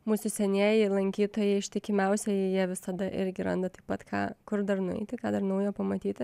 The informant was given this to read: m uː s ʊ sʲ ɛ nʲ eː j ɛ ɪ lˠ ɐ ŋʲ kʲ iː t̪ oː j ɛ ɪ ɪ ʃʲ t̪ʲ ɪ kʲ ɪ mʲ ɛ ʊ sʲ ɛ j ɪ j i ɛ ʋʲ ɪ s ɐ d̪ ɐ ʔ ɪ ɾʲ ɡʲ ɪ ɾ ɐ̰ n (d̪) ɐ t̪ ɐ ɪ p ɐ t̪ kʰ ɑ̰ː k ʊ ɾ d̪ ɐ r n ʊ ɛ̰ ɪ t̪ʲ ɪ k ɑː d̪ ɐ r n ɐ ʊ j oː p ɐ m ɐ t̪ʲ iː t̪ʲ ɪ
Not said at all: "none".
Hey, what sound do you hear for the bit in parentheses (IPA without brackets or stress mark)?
d̪